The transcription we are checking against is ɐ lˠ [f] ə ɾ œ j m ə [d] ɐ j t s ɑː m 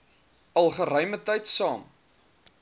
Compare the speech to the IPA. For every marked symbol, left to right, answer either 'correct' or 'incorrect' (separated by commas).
incorrect, incorrect